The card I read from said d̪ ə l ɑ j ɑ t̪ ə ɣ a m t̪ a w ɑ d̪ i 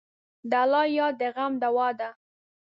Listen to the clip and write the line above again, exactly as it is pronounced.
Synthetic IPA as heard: d̪ a l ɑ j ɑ d̪ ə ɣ a m d̪ a w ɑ d̪ a